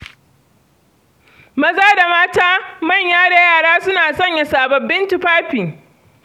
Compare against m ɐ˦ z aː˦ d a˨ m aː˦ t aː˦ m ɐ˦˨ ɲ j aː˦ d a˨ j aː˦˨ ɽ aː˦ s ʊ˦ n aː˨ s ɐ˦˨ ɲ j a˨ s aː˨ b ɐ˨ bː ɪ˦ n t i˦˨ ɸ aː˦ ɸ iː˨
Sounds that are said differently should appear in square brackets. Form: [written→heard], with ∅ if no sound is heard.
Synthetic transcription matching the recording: m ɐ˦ z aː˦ d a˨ m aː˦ t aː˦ m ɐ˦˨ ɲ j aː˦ d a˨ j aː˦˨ ɽ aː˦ s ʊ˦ n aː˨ s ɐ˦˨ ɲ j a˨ s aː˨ b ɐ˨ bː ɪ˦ n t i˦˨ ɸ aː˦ ɸ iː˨